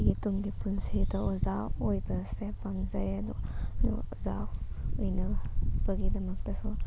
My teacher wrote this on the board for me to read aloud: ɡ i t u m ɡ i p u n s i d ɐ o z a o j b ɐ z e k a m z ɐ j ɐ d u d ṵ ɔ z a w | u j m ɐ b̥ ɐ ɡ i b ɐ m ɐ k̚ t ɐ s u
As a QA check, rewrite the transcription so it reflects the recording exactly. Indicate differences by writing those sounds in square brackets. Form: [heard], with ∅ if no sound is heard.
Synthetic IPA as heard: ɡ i t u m ɡ i p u n s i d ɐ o z a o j b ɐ [s] e [p] a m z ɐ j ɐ d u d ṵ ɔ z a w | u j [n] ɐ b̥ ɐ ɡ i [d] ɐ m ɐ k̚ t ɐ s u